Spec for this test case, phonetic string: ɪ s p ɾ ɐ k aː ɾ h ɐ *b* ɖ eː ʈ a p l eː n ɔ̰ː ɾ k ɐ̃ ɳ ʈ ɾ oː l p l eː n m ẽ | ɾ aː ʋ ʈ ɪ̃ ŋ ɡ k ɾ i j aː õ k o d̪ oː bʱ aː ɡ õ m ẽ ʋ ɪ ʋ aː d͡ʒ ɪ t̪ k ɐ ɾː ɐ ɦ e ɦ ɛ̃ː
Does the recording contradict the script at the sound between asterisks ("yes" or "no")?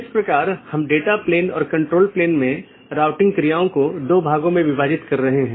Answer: yes